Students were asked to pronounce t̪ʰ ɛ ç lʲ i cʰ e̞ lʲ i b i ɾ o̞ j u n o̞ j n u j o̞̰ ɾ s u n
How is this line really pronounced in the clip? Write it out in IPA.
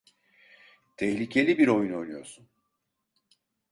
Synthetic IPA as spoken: t̪ʰ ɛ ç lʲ i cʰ e̞ lʲ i b i ɾ o̞ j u n o̞ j n u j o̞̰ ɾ s u n